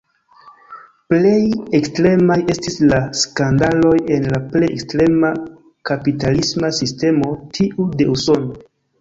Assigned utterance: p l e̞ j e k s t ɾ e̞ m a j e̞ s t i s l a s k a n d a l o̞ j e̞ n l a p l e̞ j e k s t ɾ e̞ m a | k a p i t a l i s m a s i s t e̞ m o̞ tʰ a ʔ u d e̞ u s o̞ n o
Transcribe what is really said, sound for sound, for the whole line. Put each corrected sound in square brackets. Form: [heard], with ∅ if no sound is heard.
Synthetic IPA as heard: p l e̞ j e k s t ɾ e̞ m a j e̞ s t i s l a s k a n d a l o̞ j e̞ n l a p l e̞ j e k s t ɾ e̞ m a | k a p i t a l i s m a s i s t e̞ m o̞ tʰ [i] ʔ u d e̞ u s o̞ n o